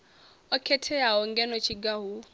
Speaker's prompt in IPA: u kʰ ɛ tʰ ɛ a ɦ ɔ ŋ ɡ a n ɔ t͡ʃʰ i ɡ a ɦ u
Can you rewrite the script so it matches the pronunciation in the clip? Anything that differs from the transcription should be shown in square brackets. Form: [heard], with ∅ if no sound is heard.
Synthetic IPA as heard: [ɔ] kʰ ɛ tʰ ɛ a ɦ ɔ ŋ ɡ [ɛ] n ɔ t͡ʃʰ i ɡ a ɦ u